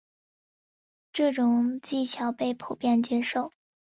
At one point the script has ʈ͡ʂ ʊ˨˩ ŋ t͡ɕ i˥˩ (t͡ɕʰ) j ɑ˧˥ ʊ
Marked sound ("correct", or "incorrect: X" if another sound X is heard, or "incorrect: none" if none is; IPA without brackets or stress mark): correct